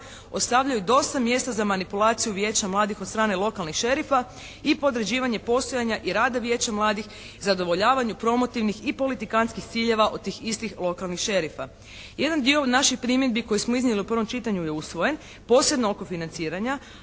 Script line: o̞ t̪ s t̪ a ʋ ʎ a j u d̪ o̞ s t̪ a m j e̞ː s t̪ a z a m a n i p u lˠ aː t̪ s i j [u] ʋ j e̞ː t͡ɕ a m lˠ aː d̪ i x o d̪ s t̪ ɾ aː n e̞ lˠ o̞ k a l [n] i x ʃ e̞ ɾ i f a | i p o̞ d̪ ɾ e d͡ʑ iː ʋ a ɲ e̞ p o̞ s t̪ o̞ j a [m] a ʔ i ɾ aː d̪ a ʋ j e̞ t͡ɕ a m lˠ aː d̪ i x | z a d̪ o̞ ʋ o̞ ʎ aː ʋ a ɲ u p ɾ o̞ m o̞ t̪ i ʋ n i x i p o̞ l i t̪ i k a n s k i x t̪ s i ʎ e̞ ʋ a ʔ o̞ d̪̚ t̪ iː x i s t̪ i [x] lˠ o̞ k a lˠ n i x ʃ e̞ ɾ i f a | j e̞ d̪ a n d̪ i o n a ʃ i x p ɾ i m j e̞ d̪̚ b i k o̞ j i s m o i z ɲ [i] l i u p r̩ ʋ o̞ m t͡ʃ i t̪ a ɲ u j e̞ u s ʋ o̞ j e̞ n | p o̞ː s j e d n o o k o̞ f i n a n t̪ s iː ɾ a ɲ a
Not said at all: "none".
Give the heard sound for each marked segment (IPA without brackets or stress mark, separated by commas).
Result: u, n, ɲ, x, e